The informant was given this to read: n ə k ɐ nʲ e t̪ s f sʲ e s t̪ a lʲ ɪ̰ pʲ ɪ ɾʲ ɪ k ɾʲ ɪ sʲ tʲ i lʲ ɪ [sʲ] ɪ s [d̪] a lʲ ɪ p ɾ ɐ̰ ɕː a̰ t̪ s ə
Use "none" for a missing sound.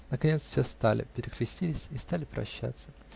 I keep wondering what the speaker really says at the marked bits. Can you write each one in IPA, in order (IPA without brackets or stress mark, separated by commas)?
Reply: sʲ, t̪